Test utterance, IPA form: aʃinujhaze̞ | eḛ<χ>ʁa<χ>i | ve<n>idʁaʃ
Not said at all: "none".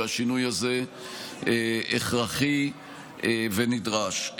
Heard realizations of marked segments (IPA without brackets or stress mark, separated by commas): χ, χ, n